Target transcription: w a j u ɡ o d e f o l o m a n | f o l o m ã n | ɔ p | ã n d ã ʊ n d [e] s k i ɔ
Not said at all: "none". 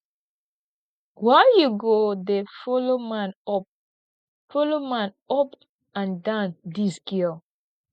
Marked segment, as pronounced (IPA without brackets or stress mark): i